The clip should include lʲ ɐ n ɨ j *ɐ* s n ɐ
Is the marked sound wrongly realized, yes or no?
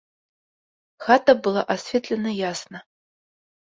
yes